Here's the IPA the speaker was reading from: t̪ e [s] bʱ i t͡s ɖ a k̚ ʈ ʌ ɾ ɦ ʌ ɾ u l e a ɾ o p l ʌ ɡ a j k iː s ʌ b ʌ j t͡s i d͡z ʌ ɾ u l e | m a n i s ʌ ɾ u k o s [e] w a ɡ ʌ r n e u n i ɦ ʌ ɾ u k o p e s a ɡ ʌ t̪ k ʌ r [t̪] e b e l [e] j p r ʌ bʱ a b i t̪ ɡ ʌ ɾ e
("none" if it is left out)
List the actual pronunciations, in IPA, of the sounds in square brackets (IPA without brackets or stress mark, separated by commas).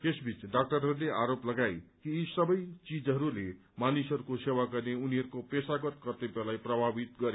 s, e, t̪, a